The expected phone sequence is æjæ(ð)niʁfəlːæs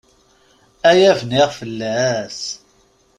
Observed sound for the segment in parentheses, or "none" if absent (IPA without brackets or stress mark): v